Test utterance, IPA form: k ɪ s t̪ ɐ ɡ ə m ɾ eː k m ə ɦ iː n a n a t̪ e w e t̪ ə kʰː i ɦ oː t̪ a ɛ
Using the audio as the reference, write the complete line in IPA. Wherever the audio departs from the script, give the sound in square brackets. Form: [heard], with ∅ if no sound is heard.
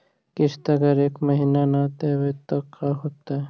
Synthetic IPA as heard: k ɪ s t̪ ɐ ɡ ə [∅] ɾ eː k m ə ɦ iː n a n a t̪ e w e t̪ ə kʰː [a] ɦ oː t̪ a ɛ